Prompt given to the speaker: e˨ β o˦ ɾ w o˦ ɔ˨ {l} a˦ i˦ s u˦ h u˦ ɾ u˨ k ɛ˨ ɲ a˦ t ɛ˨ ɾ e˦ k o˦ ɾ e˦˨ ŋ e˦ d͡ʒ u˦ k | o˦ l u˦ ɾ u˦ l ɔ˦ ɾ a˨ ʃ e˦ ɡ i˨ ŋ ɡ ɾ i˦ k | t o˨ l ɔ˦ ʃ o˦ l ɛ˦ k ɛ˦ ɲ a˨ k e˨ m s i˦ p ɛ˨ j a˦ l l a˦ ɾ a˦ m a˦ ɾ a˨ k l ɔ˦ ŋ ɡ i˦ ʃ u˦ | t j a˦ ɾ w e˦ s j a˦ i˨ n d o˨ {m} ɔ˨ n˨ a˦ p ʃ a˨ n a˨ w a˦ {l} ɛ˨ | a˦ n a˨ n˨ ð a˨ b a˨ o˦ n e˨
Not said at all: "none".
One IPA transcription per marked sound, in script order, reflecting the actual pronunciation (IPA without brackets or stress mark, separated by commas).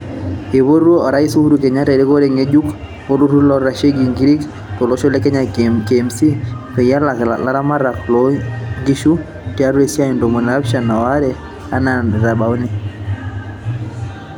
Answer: ɾ, m, ɾ